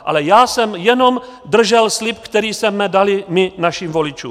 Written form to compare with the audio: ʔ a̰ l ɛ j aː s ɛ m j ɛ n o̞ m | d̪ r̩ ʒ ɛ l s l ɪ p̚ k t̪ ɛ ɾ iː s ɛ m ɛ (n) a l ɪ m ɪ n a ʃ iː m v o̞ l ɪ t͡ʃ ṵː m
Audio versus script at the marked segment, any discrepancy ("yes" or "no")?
yes